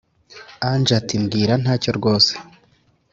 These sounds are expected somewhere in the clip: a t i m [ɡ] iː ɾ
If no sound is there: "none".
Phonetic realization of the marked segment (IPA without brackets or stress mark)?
ɡ